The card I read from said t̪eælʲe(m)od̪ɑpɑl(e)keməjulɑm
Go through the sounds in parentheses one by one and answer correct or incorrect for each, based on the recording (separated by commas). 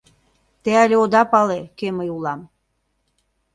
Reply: incorrect, correct